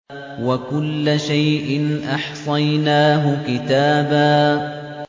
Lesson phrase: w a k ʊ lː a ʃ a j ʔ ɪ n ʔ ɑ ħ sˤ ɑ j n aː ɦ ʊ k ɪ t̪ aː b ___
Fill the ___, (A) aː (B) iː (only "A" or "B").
A